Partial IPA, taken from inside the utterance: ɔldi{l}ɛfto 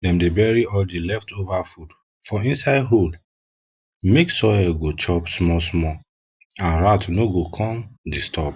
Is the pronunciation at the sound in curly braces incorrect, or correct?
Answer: correct